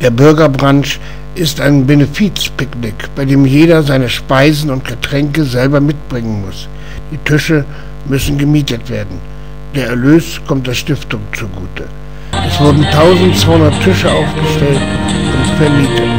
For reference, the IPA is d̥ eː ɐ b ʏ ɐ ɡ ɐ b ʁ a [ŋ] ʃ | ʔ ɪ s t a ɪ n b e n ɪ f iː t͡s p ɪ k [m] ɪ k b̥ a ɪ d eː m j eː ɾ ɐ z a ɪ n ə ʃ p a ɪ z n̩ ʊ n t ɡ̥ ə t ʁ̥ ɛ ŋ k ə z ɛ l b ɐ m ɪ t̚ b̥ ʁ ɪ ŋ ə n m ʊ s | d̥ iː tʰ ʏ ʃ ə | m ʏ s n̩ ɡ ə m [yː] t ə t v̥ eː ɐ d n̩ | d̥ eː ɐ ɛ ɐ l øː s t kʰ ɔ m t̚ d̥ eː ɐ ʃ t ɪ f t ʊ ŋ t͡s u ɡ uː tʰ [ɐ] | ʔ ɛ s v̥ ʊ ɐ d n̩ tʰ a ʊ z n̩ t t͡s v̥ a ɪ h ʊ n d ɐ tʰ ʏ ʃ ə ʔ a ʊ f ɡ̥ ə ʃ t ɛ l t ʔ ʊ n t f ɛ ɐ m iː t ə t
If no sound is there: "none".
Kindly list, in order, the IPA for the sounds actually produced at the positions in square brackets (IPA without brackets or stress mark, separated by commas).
n, n, iː, ə